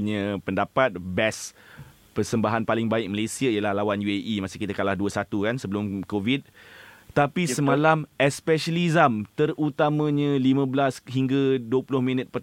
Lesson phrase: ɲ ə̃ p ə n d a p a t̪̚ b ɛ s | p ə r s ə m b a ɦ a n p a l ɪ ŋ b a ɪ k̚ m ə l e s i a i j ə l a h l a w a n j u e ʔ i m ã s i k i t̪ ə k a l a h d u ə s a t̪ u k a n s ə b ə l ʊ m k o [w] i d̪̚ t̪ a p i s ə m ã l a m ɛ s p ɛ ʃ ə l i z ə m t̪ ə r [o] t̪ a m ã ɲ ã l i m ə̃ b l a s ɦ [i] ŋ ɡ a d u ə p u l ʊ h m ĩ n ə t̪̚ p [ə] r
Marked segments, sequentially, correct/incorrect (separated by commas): incorrect, incorrect, correct, correct